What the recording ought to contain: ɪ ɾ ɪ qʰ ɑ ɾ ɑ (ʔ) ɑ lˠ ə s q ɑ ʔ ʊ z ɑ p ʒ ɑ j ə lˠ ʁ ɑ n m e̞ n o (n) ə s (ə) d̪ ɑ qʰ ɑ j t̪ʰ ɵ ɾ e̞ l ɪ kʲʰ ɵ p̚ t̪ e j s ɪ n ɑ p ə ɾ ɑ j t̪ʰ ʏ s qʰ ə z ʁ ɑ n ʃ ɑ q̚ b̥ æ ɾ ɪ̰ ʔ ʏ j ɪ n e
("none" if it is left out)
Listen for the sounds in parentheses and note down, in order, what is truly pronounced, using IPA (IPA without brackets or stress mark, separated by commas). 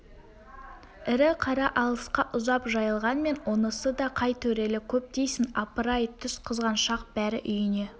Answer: ʔ, n, ə